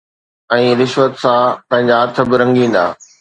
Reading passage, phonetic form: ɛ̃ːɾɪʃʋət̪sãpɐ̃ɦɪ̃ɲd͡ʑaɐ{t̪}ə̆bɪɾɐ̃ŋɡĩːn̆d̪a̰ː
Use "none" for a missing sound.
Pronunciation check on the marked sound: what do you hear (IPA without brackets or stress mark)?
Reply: t̪ʰ